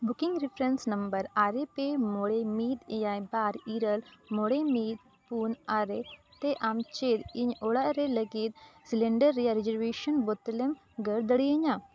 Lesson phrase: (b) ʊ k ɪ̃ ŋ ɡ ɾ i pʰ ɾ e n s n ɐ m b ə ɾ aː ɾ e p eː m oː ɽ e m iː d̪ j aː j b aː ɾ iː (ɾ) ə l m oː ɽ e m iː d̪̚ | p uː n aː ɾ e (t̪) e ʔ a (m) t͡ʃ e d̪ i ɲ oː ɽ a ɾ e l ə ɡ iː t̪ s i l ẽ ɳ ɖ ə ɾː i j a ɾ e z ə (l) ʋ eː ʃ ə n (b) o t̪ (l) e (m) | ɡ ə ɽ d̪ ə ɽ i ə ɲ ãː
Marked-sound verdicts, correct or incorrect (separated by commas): correct, correct, correct, correct, incorrect, correct, correct, correct